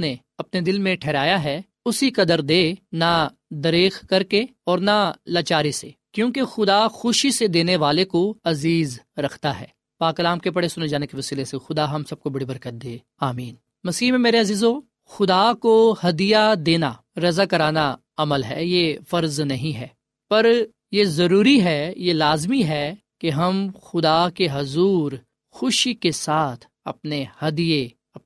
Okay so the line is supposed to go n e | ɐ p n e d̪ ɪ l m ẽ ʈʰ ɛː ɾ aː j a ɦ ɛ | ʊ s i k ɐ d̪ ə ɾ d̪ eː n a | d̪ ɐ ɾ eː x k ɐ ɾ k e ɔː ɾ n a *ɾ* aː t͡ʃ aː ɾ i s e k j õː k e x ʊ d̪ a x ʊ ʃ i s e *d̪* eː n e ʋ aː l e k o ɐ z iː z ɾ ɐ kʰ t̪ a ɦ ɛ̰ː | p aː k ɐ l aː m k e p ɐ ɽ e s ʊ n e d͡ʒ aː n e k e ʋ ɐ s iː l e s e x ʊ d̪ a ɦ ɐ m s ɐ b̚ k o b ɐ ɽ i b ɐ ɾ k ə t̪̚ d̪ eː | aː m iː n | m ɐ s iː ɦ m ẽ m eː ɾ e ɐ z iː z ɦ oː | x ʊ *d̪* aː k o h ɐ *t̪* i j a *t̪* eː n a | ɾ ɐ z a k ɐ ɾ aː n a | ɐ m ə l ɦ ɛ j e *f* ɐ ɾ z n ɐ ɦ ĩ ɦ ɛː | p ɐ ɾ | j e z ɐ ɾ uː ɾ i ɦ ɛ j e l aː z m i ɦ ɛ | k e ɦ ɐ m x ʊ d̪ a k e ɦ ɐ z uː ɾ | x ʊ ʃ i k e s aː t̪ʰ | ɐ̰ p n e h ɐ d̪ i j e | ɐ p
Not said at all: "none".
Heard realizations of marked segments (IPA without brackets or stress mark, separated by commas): l, d̪, d̪, d̪, d̪, f